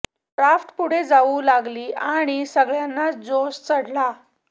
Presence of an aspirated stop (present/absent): absent